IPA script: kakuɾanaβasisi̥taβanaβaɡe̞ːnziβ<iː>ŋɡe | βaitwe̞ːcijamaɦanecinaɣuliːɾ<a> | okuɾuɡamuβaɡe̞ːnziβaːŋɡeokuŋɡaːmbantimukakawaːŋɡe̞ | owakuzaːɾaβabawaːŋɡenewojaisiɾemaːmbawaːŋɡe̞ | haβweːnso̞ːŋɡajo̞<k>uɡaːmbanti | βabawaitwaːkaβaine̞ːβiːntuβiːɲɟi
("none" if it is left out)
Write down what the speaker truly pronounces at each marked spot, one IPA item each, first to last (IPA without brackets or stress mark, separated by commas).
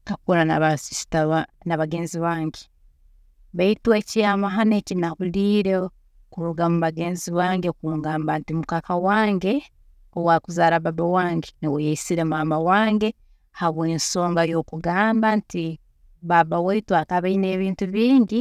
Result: aː, e, k